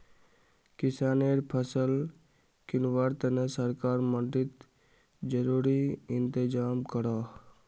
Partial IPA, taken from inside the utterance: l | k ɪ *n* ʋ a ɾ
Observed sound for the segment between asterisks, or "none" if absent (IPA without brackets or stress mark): n